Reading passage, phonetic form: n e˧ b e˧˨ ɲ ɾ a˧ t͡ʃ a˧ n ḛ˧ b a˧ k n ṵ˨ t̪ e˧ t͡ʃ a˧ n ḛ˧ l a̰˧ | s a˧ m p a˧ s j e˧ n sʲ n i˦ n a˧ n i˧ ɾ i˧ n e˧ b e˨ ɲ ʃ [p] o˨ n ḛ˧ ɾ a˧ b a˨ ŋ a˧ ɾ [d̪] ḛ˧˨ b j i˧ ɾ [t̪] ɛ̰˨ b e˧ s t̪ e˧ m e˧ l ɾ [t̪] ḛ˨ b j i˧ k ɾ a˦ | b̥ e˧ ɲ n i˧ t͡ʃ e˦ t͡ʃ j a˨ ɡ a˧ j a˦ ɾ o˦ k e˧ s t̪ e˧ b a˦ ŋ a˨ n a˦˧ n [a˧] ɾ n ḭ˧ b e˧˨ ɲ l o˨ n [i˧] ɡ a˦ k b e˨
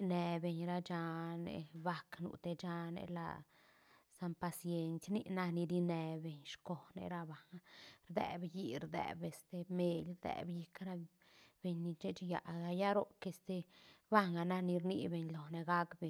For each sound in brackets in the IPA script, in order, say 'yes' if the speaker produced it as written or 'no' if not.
no, yes, no, no, no, no

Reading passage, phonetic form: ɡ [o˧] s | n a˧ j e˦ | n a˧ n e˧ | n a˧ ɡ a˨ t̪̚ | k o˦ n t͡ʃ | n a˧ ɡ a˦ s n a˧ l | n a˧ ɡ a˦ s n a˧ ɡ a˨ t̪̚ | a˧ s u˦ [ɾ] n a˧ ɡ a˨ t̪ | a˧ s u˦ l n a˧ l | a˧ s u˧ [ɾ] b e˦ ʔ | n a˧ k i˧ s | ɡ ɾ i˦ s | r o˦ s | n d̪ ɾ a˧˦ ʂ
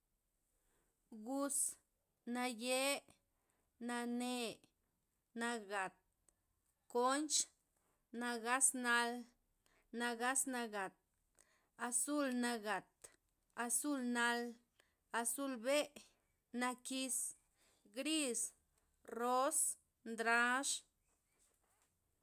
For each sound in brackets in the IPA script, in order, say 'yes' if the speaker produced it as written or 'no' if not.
no, no, no

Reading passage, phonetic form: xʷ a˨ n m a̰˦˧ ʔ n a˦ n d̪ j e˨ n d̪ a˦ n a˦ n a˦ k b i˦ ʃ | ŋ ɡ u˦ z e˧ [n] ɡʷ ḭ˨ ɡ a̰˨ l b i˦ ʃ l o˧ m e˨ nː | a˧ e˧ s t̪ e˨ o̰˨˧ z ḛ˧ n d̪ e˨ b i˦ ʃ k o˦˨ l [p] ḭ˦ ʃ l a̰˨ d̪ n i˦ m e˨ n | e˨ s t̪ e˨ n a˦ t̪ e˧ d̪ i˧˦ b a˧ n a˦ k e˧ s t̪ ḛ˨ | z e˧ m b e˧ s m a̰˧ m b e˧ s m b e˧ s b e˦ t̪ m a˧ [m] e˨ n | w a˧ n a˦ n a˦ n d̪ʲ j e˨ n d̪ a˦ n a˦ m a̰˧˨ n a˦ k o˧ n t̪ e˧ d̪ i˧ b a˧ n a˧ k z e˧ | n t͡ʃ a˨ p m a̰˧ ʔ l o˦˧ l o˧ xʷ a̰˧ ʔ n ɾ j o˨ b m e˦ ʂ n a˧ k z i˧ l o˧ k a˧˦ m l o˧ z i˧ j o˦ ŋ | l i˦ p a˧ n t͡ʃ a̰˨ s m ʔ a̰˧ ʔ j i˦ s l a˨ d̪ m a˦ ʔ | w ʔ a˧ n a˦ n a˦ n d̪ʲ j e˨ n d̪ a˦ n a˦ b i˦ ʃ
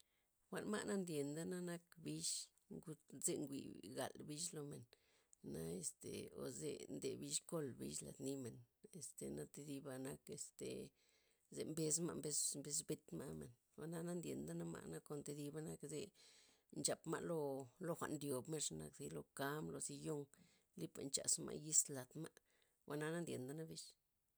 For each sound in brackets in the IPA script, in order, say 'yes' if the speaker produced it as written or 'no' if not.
no, no, yes

